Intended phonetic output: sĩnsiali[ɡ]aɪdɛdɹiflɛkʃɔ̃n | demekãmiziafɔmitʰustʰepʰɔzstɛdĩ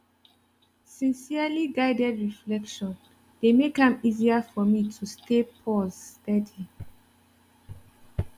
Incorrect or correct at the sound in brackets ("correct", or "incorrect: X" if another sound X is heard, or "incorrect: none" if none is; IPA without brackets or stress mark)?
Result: correct